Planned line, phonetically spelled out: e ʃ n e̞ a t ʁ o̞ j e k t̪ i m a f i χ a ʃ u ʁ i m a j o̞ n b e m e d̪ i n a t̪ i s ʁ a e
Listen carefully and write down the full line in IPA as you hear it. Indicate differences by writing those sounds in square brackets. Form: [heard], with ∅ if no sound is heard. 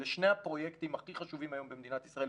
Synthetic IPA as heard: e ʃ n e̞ a [p] ʁ o̞ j e k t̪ i m a [χ] i χ a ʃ u [v] i m a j o̞ [m] b e m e d̪ i n a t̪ i s ʁ a e